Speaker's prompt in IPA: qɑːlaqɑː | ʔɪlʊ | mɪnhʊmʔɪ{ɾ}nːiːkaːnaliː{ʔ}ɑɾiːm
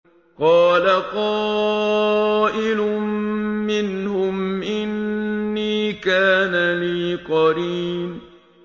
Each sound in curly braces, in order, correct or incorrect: incorrect: none, incorrect: q

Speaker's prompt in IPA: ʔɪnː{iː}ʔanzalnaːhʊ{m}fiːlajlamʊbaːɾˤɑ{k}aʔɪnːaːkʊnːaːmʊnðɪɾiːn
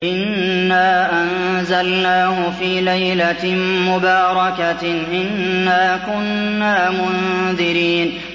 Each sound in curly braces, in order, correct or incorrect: incorrect: aː, incorrect: none, correct

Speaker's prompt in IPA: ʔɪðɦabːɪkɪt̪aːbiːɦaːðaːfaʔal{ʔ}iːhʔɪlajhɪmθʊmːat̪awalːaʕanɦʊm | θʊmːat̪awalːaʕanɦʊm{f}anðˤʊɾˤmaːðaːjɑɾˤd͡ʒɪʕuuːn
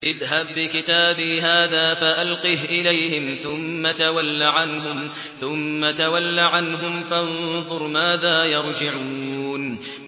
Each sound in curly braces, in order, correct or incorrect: incorrect: q, correct

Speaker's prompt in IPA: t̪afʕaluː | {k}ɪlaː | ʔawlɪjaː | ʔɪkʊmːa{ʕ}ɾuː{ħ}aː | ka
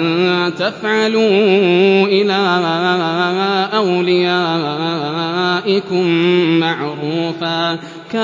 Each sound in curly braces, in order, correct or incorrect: incorrect: ʔ, correct, incorrect: f

